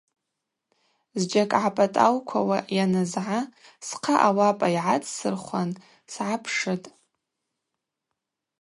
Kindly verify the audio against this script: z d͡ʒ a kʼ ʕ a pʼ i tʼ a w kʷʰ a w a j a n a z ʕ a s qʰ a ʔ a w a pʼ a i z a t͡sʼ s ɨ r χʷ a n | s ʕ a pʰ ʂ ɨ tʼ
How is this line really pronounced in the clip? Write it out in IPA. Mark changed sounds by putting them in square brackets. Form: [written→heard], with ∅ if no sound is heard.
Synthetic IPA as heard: z d͡ʒ a kʼ ʕ a pʼ [i→a] tʼ a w kʷʰ a w a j a n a z ʕ a s qʰ a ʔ a w a pʼ a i [z→ʕ] a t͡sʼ s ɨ r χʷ a n | s ʕ a pʰ ʂ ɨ tʼ